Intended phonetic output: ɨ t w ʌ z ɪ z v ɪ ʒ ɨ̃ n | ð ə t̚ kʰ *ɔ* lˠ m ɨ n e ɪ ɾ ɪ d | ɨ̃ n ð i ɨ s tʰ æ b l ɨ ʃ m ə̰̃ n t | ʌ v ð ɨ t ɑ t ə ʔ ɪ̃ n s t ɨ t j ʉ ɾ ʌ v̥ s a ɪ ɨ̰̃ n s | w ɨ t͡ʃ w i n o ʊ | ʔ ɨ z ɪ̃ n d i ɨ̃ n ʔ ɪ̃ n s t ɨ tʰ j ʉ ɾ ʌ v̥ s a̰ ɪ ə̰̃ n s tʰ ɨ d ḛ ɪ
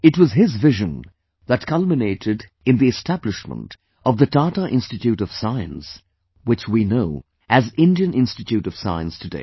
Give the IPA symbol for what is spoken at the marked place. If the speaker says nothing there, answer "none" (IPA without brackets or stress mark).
ʌ